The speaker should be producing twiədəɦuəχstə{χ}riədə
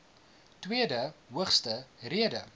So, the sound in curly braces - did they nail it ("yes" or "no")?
no